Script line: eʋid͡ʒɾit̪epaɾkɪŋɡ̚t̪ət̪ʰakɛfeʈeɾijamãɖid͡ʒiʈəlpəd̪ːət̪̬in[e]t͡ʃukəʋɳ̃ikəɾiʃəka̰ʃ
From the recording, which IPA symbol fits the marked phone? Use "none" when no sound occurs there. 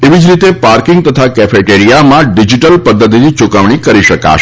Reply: i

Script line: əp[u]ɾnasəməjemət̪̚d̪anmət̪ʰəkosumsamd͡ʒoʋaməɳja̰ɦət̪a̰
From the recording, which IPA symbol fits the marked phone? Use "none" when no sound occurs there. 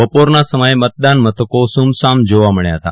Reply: o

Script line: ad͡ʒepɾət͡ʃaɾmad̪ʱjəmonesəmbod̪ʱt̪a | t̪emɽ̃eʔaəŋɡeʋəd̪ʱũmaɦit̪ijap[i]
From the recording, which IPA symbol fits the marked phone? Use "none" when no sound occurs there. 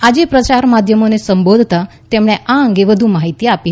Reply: i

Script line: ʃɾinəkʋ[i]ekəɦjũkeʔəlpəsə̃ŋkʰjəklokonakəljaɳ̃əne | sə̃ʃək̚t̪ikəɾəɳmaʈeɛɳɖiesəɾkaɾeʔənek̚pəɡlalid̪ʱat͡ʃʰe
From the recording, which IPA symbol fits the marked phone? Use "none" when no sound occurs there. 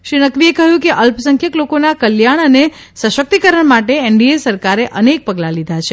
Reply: i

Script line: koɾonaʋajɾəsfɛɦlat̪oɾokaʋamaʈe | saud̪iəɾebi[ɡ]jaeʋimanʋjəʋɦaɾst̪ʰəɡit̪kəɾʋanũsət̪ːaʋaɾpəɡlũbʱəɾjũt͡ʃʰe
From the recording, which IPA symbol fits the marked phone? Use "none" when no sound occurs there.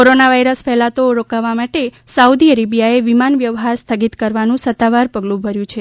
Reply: none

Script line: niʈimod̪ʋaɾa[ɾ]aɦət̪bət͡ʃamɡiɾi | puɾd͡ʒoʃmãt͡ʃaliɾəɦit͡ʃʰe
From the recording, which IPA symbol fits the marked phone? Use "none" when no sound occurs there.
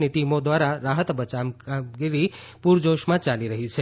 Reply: ɾ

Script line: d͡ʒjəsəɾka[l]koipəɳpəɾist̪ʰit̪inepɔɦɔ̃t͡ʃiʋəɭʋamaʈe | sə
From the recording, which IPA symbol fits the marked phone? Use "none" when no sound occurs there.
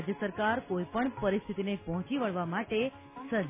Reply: ɾ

